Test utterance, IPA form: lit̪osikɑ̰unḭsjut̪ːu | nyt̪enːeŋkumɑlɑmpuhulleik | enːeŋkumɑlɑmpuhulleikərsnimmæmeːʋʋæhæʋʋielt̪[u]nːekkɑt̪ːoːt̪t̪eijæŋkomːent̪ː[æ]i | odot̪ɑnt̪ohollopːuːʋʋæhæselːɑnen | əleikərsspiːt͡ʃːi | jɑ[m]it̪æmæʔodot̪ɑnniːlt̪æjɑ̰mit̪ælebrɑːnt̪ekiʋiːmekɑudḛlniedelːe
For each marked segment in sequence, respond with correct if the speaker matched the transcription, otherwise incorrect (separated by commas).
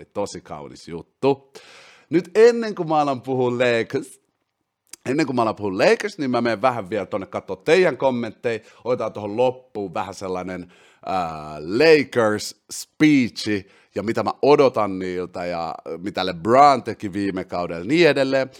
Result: incorrect, incorrect, correct